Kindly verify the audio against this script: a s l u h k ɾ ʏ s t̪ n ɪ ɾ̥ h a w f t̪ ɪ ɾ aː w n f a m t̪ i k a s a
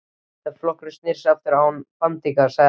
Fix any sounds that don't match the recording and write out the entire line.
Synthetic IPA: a f l ɔ h k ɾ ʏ s t̪ n ɪ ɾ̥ s a f t̪ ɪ ɾ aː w n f a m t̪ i k a s a